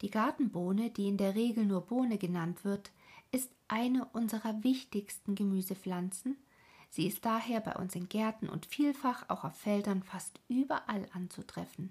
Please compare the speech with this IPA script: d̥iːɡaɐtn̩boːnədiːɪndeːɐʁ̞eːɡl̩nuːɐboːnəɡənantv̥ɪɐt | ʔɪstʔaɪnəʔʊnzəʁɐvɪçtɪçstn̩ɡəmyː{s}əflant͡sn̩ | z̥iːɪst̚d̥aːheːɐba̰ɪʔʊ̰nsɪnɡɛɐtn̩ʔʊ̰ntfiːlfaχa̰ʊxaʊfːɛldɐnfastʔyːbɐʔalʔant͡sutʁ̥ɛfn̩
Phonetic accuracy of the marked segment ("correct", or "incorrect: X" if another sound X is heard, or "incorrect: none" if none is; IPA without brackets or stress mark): incorrect: z